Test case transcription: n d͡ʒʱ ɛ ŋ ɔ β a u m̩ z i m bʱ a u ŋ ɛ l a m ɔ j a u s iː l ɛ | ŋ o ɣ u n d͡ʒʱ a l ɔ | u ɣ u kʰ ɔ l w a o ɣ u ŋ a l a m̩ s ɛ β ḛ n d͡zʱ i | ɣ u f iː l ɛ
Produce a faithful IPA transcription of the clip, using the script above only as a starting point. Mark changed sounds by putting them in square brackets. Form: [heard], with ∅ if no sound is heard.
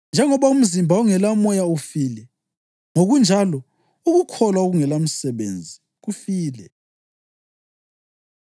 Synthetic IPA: n d͡ʒʱ ɛ ŋ ɔ β a u m̩ z i m bʱ a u ŋ ɛ l a m ɔ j a u [f] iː l ɛ | ŋ o ɣ u n d͡ʒʱ a l ɔ | u ɣ u kʰ ɔ l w a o ɣ u ŋ [ɛ] l a m̩ s ɛ β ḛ n d͡zʱ i | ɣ u f iː l ɛ